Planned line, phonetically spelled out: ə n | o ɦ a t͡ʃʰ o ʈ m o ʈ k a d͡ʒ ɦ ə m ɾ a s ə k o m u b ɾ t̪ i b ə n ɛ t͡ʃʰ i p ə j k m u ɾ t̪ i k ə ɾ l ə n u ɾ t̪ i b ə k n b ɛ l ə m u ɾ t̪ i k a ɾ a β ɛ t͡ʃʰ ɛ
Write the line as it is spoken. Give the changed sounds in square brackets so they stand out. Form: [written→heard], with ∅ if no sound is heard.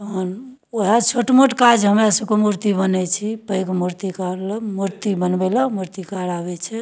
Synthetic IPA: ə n | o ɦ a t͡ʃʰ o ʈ m o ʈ k a d͡ʒ ɦ ə m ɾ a s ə k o m u [b→∅] ɾ t̪ i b ə n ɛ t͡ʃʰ i p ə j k m u ɾ t̪ i k [ə→a] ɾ l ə [n→m] u ɾ t̪ i b ə [k→∅] n b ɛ l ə m u ɾ t̪ i k a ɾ a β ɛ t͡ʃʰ ɛ

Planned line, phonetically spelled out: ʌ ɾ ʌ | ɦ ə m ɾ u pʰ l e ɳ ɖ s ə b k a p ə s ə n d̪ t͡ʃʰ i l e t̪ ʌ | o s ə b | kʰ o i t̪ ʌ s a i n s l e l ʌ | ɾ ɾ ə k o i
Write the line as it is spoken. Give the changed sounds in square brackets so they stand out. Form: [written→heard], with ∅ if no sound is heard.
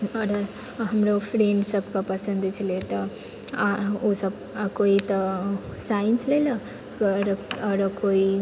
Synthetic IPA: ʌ ɾ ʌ | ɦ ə m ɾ [u→o] pʰ [l→ɾ] e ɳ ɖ s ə b k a p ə s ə n d̪ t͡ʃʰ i l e t̪ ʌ | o s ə b | [kʰ→k] o i t̪ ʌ s a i n s l e l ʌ | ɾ ɾ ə k o i

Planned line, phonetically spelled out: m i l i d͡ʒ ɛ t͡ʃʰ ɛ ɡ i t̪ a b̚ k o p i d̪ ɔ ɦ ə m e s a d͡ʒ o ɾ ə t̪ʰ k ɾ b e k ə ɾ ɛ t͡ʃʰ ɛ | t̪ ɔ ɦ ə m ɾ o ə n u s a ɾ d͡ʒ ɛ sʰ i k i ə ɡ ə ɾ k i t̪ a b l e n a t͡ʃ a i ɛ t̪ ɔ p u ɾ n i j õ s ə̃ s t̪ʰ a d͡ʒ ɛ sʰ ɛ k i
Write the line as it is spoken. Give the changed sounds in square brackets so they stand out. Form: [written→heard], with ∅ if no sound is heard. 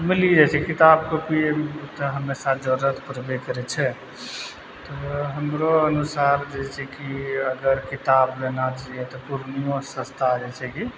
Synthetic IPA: m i l i d͡ʒ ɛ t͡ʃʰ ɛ [ɡ→k] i t̪ a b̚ k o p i [d̪→t̪] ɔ ɦ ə m e s a d͡ʒ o ɾ ə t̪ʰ [k→p] ɾ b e k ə ɾ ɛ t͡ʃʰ ɛ | t̪ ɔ ɦ ə m ɾ o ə n u s a ɾ d͡ʒ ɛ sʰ [i→ɛ] k i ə ɡ ə ɾ k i t̪ a b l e n a t͡ʃ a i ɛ t̪ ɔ p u ɾ n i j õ s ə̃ s t̪ʰ a d͡ʒ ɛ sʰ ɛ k i

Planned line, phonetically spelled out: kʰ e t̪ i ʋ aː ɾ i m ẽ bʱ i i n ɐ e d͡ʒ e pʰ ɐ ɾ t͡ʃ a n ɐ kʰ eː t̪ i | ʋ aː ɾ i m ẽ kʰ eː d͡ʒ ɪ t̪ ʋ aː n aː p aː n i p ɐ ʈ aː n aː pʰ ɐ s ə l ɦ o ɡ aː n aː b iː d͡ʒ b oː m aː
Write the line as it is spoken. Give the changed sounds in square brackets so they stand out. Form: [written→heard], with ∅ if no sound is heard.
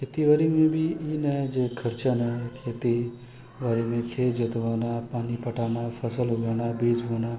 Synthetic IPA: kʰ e t̪ i ʋ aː ɾ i m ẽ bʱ i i n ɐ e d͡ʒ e [pʰ→kʰ] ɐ ɾ t͡ʃ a n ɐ kʰ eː t̪ i | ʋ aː ɾ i m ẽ kʰ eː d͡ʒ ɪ t̪ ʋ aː n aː p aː n i p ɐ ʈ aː n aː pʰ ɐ s ə l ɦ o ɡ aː n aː b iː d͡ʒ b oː [m→n] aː

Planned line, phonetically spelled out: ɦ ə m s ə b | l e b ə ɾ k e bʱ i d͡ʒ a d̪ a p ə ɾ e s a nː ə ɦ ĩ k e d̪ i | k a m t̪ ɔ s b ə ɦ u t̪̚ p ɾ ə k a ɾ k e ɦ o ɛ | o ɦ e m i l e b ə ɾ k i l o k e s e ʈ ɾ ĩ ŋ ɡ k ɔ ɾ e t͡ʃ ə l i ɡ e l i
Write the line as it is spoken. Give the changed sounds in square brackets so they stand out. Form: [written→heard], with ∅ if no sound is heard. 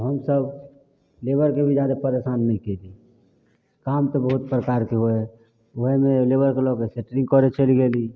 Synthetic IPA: ɦ ə m s ə b | l e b ə ɾ k e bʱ i d͡ʒ a d̪ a p ə ɾ e s a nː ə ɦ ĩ k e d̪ i | k a m t̪ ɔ [s→∅] b ə ɦ u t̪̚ p ɾ ə k a ɾ k e ɦ o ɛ | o ɦ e m [i→e] l e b ə ɾ k [i→e] l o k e s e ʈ ɾ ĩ ŋ ɡ k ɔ ɾ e t͡ʃ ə l i ɡ e l i

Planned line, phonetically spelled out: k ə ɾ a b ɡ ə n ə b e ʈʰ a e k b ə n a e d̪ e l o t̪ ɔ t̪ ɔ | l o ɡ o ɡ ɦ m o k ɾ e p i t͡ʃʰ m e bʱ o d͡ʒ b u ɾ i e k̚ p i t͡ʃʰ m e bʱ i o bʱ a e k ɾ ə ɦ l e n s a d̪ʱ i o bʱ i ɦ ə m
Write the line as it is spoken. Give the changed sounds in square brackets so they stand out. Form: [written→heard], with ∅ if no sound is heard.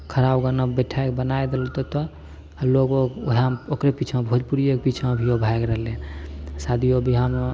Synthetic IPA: [k→kʰ] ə ɾ a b ɡ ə n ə b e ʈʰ a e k b ə n a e d̪ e l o t̪ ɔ t̪ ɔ | l o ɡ o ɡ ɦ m o k ɾ e p i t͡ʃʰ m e bʱ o d͡ʒ [b→p] u ɾ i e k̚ p i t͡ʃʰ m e bʱ i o bʱ a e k ɾ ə ɦ l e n s a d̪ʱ i o bʱ i ɦ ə m

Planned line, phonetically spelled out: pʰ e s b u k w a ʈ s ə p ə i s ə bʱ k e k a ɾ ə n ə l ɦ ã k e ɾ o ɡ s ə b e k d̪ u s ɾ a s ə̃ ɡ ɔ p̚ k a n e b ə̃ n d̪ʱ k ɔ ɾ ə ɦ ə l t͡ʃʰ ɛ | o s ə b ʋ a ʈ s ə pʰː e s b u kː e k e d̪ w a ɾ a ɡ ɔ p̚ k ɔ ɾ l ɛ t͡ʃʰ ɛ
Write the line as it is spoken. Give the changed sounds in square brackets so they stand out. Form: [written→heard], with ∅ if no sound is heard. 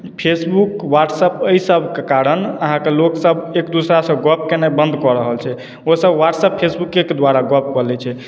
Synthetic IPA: pʰ e s b u k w a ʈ s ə p ə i s ə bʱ k e k a ɾ ə n ə [l→∅] ɦ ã k e [ɾ→l] o [ɡ→k] s ə b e k d̪ u s ɾ a s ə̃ ɡ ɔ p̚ k [a→e] n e b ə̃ n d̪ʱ k ɔ ɾ ə ɦ ə l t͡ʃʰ ɛ | o s ə b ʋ a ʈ s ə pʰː e s b u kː e k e d̪ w a ɾ a ɡ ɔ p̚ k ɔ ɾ l ɛ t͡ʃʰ ɛ

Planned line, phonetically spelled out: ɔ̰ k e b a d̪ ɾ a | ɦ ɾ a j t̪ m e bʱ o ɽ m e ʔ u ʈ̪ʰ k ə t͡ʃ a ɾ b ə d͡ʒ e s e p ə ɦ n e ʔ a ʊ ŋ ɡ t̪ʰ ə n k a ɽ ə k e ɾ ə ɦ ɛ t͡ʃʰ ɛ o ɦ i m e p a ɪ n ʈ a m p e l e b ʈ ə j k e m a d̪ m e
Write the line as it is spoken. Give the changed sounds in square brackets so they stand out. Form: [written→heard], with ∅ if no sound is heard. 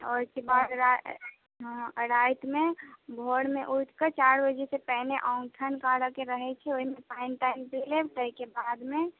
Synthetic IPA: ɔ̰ k e b a d̪ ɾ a | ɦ ɾ a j t̪ m e bʱ o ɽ m e ʔ u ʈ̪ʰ k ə t͡ʃ a ɾ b ə d͡ʒ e s e p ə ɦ n e ʔ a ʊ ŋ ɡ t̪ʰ ə n k a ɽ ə k e ɾ ə ɦ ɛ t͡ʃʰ ɛ o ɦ i m e p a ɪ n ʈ a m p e l e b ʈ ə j k e [m→b] a d̪ m e

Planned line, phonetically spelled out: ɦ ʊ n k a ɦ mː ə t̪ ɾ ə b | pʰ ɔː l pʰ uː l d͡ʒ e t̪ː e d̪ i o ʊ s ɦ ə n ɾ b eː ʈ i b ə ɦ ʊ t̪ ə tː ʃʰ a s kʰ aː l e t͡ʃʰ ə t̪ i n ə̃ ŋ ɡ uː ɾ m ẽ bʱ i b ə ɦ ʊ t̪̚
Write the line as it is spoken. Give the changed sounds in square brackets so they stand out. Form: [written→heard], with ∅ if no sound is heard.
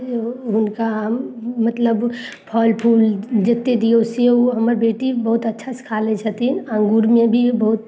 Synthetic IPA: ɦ ʊ n k a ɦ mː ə t̪ [ɾ→l] ə b | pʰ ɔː l pʰ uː l d͡ʒ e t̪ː e d̪ i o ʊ s ɦ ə [n→m] ɾ b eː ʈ i b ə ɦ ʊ t̪ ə tː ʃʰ a s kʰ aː l e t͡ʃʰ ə t̪ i n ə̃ ŋ ɡ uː ɾ m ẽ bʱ i b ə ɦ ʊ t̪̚

